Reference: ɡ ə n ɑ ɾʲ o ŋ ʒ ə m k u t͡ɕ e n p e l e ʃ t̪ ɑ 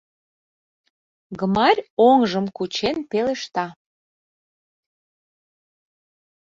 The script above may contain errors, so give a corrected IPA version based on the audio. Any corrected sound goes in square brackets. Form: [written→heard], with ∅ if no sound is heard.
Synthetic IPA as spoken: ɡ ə [n→m] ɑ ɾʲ o ŋ ʒ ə m k u t͡ɕ e n p e l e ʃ t̪ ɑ